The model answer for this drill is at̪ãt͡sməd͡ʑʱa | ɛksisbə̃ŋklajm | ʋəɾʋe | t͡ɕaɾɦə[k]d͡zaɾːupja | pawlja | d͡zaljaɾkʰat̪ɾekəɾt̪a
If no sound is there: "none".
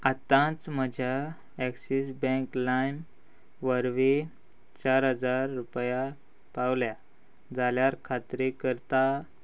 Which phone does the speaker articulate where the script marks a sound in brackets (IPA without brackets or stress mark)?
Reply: none